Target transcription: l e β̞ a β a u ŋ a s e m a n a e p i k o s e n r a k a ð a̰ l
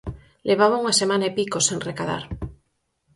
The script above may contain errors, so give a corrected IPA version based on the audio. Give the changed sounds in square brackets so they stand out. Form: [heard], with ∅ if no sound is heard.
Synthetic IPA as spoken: l e β̞ a β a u ŋ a s e m a n a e p i k o s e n r [e] k a ð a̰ [ɾ]